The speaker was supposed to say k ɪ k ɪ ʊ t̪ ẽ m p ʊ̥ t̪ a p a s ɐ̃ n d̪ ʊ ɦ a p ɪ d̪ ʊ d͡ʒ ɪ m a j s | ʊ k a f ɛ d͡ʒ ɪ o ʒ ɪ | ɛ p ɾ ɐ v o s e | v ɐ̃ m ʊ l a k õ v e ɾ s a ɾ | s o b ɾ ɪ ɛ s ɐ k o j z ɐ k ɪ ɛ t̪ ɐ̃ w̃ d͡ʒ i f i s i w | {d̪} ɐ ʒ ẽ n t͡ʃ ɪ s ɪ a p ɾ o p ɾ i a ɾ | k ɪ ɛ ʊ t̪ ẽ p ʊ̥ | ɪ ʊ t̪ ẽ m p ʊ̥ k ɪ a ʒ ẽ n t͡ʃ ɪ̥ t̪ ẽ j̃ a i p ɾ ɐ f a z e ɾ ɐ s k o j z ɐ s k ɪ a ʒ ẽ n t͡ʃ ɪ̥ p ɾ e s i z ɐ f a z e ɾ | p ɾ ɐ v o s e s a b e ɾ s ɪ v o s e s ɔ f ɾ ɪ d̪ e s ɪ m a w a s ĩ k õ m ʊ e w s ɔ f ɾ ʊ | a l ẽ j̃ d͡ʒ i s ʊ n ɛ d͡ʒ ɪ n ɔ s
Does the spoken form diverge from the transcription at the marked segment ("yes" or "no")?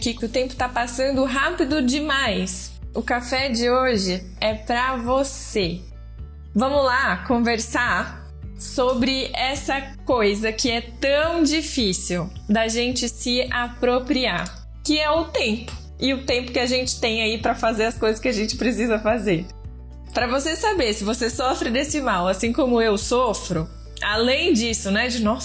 no